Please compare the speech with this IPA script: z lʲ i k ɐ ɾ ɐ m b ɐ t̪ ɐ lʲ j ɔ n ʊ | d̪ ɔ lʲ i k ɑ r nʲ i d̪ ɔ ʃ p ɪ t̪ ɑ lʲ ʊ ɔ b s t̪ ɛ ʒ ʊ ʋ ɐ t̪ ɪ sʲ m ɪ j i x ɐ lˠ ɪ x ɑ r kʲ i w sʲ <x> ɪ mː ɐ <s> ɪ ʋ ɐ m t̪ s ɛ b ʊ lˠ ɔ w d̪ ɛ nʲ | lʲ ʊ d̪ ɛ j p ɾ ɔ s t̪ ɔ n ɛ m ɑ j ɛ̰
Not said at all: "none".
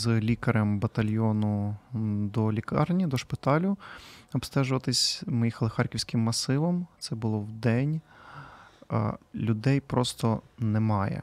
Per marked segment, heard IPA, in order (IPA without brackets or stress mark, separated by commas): k, s